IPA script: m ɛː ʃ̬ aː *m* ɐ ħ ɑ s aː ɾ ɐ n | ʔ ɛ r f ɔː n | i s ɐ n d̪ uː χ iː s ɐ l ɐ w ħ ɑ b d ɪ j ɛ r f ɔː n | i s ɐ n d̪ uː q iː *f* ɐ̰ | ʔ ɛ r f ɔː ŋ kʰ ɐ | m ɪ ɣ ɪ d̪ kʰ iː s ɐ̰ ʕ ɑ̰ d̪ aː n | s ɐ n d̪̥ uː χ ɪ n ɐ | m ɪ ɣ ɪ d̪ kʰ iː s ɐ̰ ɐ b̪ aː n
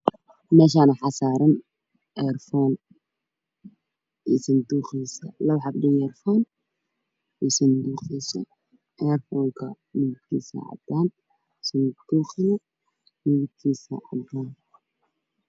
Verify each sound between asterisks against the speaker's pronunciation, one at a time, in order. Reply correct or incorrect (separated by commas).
incorrect, incorrect